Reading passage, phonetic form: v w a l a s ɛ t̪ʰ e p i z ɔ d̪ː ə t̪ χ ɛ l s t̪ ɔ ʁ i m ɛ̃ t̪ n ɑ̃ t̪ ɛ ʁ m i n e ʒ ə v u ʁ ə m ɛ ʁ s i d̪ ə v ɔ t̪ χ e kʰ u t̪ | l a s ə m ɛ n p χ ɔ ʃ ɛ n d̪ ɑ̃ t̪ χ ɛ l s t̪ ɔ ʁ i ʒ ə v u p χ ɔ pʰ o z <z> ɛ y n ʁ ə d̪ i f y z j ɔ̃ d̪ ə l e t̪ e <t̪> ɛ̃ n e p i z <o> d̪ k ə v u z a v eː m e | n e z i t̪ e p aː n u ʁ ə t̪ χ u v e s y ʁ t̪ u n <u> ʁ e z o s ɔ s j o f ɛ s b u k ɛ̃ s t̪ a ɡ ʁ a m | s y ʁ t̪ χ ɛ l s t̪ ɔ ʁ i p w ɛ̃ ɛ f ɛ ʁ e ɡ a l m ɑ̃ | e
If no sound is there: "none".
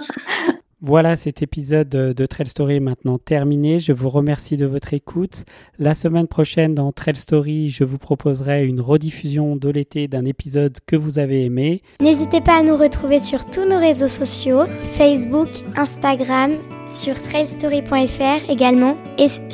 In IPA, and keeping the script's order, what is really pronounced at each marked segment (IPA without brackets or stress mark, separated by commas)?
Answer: ʁ, d̪, ɔ, o